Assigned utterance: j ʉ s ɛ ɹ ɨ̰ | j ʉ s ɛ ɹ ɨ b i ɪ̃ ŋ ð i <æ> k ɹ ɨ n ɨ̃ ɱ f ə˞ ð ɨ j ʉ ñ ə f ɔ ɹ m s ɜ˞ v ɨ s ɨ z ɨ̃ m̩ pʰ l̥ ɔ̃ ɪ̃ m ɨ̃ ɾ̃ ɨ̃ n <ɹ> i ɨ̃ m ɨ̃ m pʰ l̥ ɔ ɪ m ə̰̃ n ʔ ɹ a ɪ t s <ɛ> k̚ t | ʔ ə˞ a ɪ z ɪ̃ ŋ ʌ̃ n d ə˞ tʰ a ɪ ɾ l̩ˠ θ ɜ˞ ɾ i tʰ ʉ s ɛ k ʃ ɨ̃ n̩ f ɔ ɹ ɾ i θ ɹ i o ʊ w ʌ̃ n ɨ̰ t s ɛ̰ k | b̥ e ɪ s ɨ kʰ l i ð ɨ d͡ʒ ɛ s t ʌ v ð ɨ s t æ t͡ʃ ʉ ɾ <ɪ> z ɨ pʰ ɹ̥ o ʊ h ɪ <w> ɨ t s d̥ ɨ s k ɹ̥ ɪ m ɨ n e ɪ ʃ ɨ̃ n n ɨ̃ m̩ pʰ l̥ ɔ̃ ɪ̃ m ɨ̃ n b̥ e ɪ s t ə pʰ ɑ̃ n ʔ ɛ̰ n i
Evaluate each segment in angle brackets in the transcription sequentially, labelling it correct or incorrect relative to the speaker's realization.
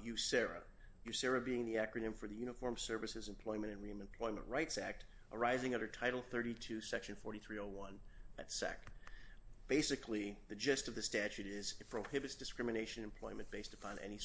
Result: correct, correct, incorrect: æ, correct, incorrect: b

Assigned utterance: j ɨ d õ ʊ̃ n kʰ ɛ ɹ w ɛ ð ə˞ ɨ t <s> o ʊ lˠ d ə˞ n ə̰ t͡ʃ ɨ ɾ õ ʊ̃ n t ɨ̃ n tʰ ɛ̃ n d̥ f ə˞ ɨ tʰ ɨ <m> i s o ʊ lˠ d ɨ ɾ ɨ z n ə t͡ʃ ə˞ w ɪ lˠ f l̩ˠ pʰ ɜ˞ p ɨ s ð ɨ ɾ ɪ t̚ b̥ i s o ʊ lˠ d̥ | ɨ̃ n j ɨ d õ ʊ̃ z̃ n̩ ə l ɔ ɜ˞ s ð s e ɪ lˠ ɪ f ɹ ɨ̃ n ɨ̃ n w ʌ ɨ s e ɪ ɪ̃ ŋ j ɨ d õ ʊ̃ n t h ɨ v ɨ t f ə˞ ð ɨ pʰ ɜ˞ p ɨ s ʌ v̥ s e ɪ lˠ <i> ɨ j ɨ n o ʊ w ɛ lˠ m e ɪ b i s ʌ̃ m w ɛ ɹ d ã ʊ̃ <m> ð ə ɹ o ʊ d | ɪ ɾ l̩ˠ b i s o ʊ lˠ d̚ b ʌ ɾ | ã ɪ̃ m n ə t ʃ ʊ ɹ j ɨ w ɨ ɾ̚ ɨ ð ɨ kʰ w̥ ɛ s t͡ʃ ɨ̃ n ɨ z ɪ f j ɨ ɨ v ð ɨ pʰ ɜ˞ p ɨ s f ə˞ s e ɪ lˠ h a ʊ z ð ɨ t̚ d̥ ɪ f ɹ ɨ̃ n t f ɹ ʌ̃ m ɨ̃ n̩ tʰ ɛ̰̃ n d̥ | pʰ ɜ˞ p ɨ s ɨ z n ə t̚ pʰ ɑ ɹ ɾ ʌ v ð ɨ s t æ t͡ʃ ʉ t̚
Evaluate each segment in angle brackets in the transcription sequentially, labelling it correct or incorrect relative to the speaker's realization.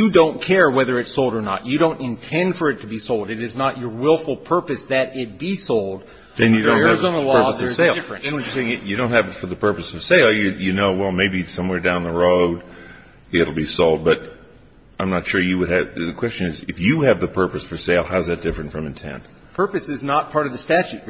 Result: correct, incorrect: b, incorrect: j, incorrect: n

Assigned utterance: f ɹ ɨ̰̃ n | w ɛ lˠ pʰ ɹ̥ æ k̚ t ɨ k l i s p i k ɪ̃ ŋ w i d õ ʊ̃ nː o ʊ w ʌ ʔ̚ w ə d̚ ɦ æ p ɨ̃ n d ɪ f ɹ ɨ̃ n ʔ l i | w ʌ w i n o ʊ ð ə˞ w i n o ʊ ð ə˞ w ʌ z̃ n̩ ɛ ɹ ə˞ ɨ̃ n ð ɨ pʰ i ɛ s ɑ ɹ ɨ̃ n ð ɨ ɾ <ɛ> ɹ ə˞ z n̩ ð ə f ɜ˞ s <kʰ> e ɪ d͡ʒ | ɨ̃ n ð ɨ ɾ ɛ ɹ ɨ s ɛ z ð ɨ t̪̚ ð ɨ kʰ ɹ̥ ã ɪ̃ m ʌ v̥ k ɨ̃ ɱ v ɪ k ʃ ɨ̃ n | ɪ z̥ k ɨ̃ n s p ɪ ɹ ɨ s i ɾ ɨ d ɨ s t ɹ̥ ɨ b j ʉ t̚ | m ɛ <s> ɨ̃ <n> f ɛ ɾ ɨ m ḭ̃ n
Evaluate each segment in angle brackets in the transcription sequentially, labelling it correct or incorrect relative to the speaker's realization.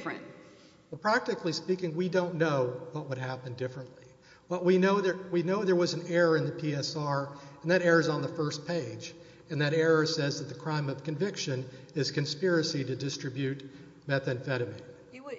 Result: correct, incorrect: pʰ, incorrect: θ, correct

